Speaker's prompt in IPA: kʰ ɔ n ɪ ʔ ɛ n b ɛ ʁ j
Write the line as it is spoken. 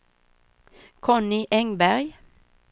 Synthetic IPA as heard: kʰ ɔ n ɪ ʔ ɛ ŋ b æ ʁ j

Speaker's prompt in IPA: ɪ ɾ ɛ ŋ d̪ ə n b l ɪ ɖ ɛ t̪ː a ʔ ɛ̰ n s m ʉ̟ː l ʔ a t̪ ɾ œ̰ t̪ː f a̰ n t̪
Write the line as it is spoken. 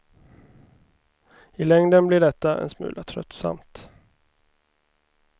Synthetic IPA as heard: ɪ l ɛ ŋ d̪ ə n b l ɪ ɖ ɛ t̪ː a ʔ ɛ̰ n s m ʉ̟ː l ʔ a t̪ʰ ɾ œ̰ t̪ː s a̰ m t̪

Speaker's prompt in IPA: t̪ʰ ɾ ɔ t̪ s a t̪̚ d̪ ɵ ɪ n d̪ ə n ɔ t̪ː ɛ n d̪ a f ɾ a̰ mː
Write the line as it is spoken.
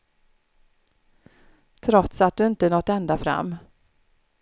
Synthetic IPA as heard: t̪ʰ ɾ ɔ t̪ s a t̪̚ d̪ ɵ ɪ n t̪ ə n ɔ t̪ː ɛ n d̪ a f ɾ a̰ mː

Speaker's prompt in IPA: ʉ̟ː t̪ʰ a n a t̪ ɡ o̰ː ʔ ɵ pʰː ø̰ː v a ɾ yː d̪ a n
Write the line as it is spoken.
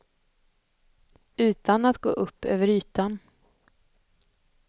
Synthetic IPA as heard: ʉ̟ː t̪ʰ a n a t̪ ɡ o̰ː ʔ ɵ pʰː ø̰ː v ə ɾ yː t̪ a n

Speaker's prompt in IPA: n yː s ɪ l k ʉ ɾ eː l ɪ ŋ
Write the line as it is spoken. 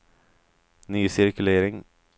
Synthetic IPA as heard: n yː s ɪ ɾ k ʉ l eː ɾ ɪ ŋ

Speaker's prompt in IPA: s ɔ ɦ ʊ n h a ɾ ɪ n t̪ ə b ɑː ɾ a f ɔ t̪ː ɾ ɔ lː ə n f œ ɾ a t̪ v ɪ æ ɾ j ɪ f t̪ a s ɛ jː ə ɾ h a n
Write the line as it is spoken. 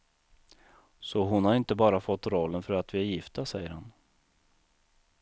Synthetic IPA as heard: s ɔ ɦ ʊ n h a ɾ ɪ n t̪ ə b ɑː ɾ a f ɔ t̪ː ɾ ɔ lː ə n f œ ɾ a t̪ v ɪ æ ɾ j ɪ f t̪ a s ɛ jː ə ɾ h a n

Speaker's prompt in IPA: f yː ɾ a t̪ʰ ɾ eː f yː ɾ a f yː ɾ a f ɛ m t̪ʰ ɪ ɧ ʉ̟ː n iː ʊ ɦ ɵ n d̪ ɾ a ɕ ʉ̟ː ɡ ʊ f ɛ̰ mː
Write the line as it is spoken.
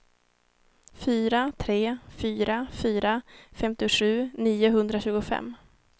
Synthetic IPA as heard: f yː ɾ a t̪ʰ ɾ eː f yː ɾ a f yː ɾ a f ɛ m t̪ ɪ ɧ ʉ̟ː n iː ʊ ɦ ɵ n d̪ ɾ a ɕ ʉ̟ː ɡ ʊ f ɛ̰ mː

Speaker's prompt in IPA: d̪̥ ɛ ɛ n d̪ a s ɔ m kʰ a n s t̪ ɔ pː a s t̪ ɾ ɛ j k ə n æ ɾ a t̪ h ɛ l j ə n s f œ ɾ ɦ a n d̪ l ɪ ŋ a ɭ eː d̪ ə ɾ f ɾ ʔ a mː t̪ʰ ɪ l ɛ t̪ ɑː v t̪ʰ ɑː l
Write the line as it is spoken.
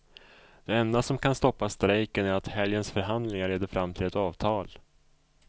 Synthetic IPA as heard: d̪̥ ɛ ɛ n d̪ a s ɔ m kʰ a n s t̪ ɔ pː a s t̪ ɾ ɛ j k ə n æ ɾ a t̪ h ɛ l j ə n s f œ ɾ ɦ a n d̪ l ɪ ŋ a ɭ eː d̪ ə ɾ f ɾ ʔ a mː t̪ʰ ɪ l ɛ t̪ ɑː v t̪ʰ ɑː l

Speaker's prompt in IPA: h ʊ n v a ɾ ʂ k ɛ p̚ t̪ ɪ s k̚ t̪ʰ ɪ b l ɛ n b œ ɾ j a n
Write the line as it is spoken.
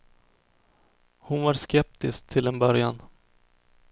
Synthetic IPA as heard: h ʊ n v a ɾ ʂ k ɛ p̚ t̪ ɪ s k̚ t̪ʰ ɪ l ɛ n b œ ɾ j a n

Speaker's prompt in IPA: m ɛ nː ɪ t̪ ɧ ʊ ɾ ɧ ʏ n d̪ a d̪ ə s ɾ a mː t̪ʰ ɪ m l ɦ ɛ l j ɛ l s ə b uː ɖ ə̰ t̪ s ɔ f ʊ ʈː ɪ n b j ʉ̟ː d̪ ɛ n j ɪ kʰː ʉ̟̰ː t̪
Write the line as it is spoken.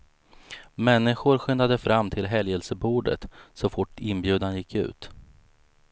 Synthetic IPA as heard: m ɛ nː ɪ ɧ ʊ ɾ ɧ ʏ n d̪ a d̪ ə f ɾ a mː t̪ʰ ɪ l ɦ ɛ l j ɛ l s ə b uː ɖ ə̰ t̪ s ɔ f ʊ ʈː ɪ n b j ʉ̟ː d̪ a n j ɪ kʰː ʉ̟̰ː t̪

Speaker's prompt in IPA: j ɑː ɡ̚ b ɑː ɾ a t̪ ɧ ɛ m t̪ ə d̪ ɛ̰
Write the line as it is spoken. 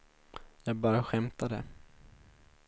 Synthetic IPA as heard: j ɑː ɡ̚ b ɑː ɾ a ɧ ɛ m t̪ a d̪ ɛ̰

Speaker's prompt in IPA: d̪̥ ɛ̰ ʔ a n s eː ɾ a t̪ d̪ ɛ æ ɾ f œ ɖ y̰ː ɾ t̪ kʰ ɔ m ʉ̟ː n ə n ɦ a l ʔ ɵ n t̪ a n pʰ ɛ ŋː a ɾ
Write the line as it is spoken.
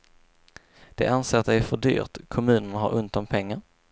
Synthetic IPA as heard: d̪̥ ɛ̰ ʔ a n s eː ɾ a t̪ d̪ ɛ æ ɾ f œ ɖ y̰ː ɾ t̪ kʰ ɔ m ʉ̟ː n ə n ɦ a ɾ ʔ ɵ n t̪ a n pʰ ɛ ŋː a ɾ

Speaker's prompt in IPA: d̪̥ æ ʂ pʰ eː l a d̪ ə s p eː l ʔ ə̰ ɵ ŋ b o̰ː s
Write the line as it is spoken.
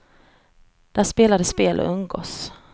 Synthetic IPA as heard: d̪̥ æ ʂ p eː l a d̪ ə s p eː l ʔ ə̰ ɵ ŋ ɡ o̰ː s

